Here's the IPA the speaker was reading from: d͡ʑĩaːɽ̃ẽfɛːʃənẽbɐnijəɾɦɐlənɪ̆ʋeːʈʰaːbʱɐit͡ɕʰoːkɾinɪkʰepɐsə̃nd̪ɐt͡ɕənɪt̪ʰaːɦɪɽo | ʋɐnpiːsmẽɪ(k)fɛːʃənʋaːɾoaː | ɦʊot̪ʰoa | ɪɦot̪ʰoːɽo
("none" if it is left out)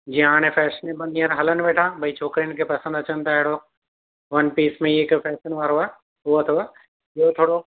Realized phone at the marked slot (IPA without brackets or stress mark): k